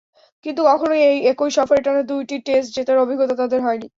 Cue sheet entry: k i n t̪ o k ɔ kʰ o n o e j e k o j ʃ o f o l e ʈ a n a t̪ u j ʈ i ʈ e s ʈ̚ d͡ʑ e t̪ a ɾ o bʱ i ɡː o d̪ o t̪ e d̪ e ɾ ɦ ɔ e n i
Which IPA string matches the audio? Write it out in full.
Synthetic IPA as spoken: k i n t̪ u k ɔ kʰ o n o e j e k o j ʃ ɔ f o ɾ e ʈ a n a d̪ u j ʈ i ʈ e s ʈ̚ d͡ʑ e t̪ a ɾ o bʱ i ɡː o t̪ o t̪ a d̪ e ɾ ɦ ɔ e n i